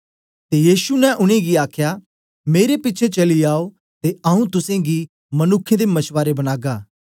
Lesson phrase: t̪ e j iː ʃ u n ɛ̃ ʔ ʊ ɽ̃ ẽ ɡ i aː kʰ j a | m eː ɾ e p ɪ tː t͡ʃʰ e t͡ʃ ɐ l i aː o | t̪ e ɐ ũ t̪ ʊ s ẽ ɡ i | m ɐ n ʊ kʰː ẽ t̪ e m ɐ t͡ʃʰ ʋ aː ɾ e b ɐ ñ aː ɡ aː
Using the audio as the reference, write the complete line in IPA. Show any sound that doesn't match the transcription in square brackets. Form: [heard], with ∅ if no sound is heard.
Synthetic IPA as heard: t̪ e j iː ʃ u n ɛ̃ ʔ ʊ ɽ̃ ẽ ɡ i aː kʰ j a | m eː ɾ e p ɪ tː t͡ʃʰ e t͡ʃ ɐ l i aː o | t̪ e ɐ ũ t̪ ʊ s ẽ ɡ i | m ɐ n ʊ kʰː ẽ [d̪] e m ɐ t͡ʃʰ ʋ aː ɾ e b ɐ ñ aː ɡ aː

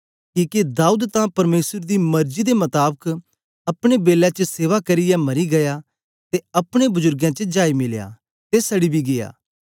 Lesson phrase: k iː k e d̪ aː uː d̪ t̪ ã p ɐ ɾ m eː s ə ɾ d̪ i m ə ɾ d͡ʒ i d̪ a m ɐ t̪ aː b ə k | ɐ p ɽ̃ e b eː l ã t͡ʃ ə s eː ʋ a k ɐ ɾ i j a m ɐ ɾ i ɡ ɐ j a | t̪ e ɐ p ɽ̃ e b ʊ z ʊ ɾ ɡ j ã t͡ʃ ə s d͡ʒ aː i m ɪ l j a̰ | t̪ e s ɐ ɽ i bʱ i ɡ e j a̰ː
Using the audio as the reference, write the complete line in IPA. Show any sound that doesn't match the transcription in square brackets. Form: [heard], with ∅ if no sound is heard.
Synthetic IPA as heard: k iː k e d̪ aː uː d̪ t̪ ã p ɐ ɾ m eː s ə ɾ d̪ i m [ɐ] ɾ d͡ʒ i d̪ [e] m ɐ t̪ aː b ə k | ɐ p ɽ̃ e b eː l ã t͡ʃ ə s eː ʋ a k ɐ ɾ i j a m ɐ ɾ i ɡ ɐ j a | t̪ e ɐ p ɽ̃ e b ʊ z ʊ ɾ ɡ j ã t͡ʃ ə [∅] d͡ʒ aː i m ɪ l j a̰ | t̪ e s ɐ ɽ i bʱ i ɡ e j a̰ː

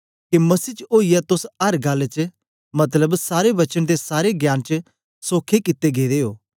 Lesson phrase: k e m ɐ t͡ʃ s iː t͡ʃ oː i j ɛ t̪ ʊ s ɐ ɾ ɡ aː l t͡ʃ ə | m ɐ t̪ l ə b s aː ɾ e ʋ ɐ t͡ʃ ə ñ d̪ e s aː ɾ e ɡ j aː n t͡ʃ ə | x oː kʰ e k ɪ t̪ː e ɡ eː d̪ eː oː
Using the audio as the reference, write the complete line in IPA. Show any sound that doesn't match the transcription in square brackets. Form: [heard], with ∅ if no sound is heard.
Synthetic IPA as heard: k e m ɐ [∅] s iː t͡ʃ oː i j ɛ t̪ ʊ s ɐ ɾ ɡ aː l t͡ʃ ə | m ɐ t̪ l ə b s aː ɾ e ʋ ɐ t͡ʃ ə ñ d̪ e s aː ɾ e ɡ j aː n t͡ʃ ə | [s] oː kʰ e k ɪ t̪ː e ɡ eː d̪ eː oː

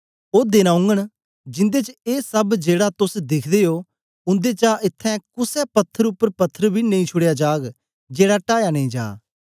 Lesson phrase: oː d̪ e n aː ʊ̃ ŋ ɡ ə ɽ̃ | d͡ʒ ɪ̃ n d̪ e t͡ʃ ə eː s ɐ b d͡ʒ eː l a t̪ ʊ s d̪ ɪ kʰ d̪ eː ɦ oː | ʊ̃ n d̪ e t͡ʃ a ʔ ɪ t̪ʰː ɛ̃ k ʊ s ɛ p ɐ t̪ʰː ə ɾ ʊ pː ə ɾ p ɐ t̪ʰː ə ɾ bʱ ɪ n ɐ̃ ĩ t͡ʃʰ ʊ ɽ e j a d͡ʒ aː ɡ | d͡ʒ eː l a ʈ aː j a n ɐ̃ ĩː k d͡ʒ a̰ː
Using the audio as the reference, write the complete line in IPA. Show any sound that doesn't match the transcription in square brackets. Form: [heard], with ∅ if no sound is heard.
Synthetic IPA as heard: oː d̪ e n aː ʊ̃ ŋ ɡ ə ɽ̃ | d͡ʒ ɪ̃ n d̪ e t͡ʃ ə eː s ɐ b d͡ʒ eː [ɽ] a t̪ ʊ s d̪ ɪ kʰ d̪ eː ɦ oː | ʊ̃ n d̪ e t͡ʃ a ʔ ɪ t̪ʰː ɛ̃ k ʊ s ɛ p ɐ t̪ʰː ə ɾ ʊ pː ə ɾ p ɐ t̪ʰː ə ɾ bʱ [i] n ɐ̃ ĩ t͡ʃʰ ʊ ɽ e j a d͡ʒ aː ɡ | d͡ʒ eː [ɽ] a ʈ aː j a n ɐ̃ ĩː [∅] d͡ʒ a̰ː

